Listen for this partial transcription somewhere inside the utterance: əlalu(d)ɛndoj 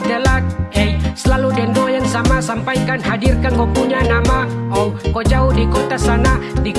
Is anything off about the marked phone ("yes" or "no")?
no